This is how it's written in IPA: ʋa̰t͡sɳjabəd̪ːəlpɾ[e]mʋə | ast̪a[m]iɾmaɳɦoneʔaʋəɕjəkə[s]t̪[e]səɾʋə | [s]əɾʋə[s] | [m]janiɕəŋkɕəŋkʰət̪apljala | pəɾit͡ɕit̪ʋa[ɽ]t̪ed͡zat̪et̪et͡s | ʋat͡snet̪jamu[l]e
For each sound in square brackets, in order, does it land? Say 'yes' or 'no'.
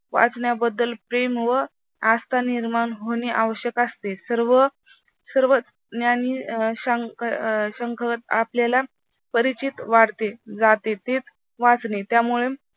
yes, no, yes, yes, yes, no, no, yes, no

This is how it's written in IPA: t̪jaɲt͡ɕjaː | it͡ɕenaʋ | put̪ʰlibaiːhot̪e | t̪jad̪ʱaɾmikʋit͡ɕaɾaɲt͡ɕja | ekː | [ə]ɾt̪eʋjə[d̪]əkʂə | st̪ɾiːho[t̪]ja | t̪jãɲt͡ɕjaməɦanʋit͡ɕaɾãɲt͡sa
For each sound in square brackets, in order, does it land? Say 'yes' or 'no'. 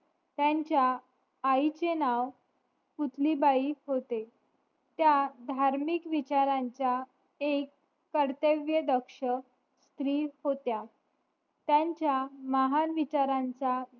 yes, yes, yes

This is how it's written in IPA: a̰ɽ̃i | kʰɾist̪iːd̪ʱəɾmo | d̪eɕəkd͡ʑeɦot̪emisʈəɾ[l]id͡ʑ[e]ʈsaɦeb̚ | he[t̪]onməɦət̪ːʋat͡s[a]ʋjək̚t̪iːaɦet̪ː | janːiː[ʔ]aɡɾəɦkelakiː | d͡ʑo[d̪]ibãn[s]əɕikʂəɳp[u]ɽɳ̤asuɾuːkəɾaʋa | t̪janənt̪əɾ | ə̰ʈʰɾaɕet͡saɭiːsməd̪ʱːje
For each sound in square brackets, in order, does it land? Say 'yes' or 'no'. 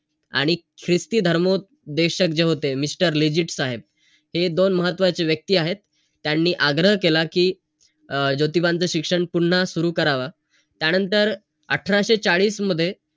yes, no, no, no, yes, no, no, yes

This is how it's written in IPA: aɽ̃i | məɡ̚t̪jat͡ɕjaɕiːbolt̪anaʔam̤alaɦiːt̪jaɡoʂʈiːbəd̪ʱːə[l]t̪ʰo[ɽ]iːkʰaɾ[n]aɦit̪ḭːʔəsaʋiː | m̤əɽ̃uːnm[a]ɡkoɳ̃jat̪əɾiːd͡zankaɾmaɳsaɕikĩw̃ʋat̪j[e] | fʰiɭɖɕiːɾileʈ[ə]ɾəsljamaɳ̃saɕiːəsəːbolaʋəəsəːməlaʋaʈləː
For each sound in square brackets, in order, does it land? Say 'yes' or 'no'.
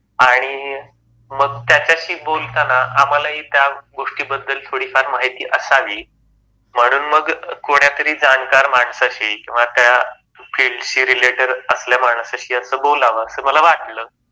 yes, yes, no, no, no, yes

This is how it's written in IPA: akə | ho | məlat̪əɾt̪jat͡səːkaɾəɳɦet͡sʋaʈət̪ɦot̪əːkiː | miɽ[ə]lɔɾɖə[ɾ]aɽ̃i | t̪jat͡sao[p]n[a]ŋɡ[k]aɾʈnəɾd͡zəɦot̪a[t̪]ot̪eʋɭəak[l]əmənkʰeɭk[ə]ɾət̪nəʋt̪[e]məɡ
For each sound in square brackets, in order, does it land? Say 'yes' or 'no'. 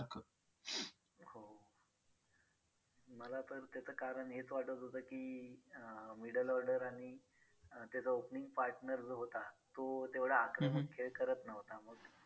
yes, yes, yes, no, no, yes, no, yes, no

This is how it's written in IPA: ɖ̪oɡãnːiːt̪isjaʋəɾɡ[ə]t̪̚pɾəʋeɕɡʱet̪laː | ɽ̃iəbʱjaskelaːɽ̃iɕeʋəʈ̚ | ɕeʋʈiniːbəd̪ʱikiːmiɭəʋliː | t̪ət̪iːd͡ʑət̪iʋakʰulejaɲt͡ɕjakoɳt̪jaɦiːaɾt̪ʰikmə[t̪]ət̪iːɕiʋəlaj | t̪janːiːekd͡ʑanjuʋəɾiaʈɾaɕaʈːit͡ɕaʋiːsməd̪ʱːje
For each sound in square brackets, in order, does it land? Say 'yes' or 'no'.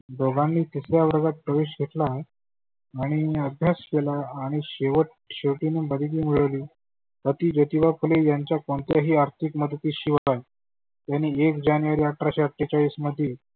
no, no

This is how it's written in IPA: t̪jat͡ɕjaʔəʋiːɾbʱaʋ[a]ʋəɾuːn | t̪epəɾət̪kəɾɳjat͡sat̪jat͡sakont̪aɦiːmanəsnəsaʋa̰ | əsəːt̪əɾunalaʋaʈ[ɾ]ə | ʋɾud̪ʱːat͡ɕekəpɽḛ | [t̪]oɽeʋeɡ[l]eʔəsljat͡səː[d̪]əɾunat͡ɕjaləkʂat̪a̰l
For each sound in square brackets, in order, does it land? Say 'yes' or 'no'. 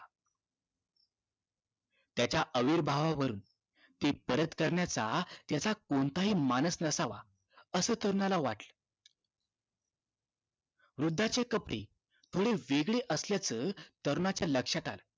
yes, no, no, no, no

